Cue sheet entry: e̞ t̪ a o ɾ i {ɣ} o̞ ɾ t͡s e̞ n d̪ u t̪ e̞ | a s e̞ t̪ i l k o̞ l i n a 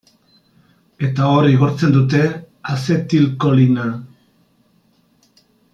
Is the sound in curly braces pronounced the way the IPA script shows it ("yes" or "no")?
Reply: yes